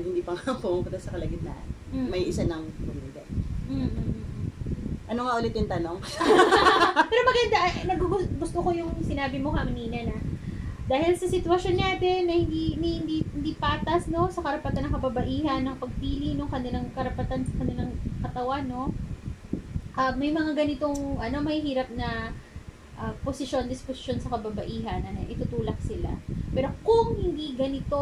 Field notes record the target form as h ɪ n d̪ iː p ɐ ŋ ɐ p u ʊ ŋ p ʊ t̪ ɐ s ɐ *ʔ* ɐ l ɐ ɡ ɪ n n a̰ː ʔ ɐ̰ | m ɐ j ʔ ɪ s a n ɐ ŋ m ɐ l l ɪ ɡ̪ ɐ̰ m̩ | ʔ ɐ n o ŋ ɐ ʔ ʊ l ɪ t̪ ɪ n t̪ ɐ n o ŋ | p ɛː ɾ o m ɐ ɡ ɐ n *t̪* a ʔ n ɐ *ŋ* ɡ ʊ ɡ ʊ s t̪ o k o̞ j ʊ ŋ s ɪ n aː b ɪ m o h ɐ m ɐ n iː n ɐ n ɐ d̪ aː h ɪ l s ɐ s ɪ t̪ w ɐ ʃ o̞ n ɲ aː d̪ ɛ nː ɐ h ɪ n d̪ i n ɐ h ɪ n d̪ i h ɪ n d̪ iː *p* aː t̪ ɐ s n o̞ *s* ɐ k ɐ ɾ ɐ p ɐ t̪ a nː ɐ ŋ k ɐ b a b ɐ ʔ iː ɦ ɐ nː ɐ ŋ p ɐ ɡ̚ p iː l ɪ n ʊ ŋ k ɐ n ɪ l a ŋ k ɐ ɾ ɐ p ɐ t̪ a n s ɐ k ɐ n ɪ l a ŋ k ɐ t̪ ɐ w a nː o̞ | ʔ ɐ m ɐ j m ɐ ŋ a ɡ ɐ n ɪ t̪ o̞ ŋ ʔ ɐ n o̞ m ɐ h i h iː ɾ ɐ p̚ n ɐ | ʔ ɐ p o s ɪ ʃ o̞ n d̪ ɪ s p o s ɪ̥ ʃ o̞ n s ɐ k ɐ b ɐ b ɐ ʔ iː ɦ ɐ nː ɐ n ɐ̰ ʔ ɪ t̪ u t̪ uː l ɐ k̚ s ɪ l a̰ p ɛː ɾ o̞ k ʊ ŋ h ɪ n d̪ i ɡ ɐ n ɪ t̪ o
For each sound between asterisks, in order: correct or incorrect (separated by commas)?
incorrect, incorrect, incorrect, correct, correct